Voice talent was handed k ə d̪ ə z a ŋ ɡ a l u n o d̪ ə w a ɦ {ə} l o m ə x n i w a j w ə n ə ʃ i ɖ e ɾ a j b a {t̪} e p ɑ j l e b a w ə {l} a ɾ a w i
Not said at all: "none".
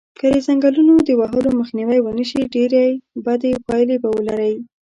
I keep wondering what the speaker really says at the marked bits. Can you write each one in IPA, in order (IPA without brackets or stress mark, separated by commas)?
ə, d̪, l